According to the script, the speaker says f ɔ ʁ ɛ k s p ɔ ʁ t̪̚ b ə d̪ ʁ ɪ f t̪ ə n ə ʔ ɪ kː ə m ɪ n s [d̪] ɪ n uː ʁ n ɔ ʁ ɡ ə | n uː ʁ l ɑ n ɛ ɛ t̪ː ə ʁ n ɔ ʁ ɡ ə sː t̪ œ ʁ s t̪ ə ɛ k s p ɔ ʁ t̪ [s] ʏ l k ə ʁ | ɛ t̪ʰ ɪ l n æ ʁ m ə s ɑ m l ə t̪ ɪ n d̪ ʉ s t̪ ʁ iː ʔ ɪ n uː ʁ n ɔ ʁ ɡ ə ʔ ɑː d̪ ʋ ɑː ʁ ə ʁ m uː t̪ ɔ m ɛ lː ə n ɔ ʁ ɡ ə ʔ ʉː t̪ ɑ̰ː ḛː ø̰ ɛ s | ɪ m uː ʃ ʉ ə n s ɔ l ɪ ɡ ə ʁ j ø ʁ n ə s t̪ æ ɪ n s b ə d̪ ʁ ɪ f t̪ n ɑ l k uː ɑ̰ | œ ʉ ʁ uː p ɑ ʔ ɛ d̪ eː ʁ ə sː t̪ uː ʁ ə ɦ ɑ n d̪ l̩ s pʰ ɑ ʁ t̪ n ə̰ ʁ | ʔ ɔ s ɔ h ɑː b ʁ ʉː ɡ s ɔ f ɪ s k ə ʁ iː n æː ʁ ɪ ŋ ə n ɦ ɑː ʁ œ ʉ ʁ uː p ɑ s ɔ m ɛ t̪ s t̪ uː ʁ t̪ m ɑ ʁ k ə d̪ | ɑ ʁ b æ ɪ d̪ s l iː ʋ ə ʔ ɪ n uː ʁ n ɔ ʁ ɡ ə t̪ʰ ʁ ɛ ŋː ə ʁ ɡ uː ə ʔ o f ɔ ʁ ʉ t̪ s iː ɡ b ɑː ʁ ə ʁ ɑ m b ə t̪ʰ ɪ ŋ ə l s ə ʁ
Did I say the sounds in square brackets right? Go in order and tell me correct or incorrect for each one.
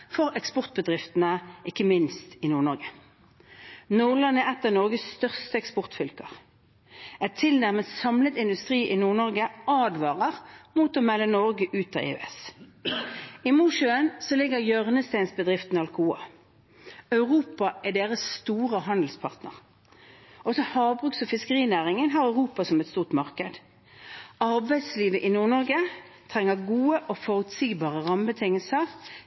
incorrect: t̪, incorrect: f

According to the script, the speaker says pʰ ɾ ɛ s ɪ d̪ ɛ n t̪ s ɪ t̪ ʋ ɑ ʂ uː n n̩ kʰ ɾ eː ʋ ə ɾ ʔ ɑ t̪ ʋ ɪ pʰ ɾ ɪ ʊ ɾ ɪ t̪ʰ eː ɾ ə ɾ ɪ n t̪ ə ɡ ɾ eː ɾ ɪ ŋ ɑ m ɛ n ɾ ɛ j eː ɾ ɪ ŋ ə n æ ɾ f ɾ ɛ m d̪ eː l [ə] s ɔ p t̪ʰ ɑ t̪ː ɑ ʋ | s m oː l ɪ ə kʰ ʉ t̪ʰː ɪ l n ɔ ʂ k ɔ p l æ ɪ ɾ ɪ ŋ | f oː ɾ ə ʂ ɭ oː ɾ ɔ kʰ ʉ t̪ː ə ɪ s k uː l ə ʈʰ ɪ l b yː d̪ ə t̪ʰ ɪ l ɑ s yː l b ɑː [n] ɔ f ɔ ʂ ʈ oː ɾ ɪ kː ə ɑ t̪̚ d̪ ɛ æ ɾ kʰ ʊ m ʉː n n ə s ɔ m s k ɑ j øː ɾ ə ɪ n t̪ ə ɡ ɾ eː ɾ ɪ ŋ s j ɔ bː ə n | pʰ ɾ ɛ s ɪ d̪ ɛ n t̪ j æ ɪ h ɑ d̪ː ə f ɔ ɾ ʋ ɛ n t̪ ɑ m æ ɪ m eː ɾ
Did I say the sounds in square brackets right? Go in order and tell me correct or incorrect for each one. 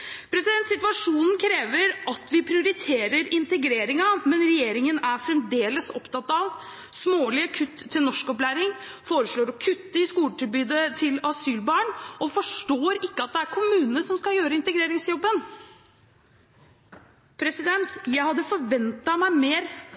correct, incorrect: ɳ

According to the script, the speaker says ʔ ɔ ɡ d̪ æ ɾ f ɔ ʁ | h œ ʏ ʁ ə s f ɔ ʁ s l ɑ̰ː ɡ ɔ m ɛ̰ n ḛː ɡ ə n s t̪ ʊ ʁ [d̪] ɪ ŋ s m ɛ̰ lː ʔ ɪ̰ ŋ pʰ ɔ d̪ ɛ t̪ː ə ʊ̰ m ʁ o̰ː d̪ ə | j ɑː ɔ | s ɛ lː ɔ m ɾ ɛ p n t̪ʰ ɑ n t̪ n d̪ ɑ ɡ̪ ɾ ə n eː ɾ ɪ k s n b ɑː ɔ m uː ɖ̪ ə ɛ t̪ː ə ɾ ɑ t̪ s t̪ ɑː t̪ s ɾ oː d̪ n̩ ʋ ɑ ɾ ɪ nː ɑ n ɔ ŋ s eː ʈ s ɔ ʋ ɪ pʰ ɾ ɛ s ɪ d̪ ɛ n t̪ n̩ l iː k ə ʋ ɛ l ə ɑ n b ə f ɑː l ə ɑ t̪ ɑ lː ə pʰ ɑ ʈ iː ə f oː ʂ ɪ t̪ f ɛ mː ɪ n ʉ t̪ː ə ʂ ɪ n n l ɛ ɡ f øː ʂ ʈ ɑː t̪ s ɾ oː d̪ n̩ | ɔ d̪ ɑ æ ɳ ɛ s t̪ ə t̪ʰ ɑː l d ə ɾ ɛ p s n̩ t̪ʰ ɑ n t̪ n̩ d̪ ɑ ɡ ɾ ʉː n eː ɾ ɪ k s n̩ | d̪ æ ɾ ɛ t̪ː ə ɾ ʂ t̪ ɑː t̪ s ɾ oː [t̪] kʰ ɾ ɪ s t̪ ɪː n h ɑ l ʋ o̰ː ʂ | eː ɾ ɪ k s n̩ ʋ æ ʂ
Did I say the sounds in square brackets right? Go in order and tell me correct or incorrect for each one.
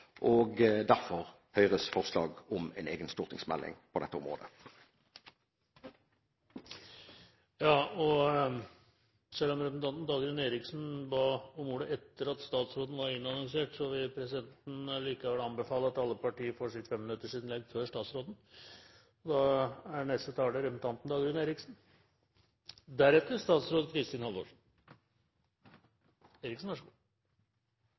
incorrect: t̪, incorrect: d̪

